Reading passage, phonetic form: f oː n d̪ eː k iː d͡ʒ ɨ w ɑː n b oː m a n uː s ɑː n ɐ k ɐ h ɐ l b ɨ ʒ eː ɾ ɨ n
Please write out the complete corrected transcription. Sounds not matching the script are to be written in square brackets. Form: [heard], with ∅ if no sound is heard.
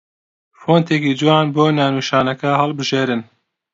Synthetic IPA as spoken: f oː n [t̪] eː k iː d͡ʒ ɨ w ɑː n b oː [n] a n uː [ʃ] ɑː n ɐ k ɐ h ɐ l b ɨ ʒ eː ɾ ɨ n